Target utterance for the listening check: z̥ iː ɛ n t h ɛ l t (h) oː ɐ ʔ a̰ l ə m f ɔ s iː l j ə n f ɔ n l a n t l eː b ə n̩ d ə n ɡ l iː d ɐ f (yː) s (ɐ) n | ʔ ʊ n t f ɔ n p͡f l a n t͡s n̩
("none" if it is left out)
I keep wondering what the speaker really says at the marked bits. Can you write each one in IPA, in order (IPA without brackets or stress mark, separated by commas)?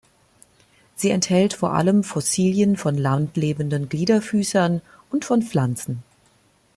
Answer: f, yː, ɐ